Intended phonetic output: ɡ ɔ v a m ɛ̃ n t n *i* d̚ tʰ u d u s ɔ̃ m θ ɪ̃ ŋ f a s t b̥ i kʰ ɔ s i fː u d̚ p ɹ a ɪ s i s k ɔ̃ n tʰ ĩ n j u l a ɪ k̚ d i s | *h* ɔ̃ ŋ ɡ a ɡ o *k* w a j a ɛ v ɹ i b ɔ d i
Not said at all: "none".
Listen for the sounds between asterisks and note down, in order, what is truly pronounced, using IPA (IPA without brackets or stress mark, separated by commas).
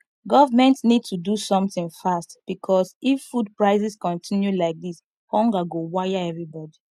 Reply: i, h, none